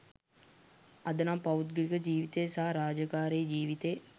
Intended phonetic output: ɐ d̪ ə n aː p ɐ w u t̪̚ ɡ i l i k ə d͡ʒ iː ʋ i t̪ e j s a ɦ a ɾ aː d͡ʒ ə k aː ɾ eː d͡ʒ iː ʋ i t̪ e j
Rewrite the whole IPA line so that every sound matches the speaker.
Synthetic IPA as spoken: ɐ d̪ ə n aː p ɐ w u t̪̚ ɡ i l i k ə d͡ʒ iː ʋ i t̪ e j s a ɦ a ɾ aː d͡ʒ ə k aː ɾ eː d͡ʒ iː ʋ i t̪ e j